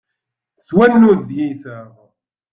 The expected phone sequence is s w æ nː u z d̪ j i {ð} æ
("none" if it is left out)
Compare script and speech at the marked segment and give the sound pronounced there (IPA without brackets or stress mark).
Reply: θ